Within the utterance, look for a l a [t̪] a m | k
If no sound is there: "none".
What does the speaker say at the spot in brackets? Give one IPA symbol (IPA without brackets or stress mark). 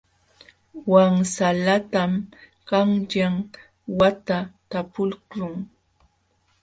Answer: t̪